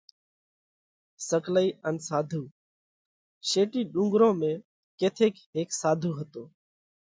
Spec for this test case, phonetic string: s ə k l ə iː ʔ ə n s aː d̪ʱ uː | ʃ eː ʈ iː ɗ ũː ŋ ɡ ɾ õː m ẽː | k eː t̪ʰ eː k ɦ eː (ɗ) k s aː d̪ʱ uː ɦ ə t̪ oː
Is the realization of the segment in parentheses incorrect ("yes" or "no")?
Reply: yes